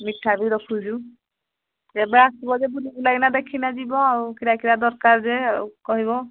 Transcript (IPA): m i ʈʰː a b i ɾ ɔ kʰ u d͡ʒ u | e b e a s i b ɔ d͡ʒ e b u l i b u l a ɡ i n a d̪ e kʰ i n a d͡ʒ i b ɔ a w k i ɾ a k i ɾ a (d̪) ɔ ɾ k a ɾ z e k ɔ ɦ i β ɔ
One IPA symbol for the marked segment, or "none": d̪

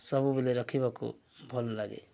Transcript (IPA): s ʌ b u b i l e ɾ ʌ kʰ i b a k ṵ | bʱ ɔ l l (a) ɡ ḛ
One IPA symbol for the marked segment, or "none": a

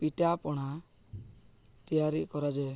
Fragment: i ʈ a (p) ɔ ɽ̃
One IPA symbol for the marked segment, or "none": p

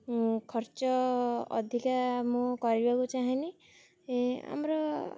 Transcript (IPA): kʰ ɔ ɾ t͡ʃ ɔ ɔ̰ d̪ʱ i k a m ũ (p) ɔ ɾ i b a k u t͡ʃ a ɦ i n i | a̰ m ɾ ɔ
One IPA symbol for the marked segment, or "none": k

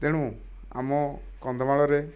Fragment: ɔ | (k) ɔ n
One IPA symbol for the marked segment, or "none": k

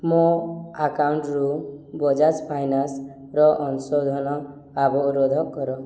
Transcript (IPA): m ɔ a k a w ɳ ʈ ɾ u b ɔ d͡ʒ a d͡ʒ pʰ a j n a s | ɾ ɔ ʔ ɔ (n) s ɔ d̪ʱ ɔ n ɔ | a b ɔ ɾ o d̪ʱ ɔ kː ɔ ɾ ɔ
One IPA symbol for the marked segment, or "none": n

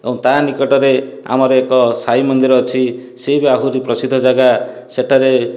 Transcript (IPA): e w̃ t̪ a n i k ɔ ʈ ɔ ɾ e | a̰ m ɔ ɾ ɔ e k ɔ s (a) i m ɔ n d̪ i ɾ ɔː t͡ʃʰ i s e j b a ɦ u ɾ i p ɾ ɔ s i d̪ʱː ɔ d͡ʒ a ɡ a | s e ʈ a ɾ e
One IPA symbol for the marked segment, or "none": a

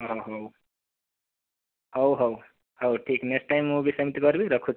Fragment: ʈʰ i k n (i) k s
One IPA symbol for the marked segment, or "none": e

